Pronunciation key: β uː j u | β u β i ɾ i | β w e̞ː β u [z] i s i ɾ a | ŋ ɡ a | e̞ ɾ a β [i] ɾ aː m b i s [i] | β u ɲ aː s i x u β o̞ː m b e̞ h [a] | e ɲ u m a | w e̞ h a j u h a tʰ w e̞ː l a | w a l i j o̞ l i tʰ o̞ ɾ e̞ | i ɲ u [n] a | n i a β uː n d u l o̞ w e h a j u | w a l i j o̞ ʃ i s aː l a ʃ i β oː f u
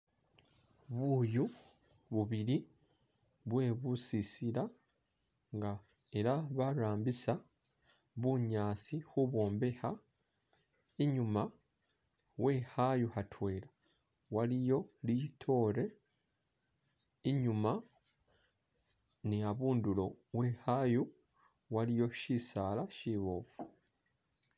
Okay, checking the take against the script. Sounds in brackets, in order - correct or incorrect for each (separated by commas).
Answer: incorrect, incorrect, incorrect, correct, incorrect